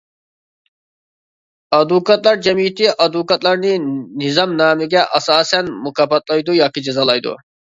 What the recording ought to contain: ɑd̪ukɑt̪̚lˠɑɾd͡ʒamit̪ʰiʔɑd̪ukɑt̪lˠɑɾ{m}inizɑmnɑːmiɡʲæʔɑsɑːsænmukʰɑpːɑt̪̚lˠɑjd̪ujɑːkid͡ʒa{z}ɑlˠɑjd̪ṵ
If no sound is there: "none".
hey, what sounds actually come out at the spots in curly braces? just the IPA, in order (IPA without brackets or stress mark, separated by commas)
n, z